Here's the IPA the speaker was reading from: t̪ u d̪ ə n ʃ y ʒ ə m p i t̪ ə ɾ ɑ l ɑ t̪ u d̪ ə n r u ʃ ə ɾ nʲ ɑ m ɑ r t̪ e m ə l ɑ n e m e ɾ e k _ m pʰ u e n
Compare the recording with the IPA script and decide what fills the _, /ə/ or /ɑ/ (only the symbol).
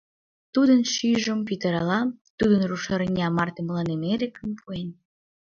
ə